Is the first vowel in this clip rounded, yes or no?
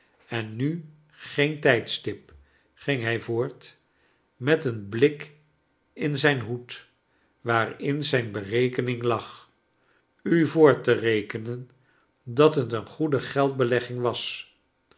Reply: no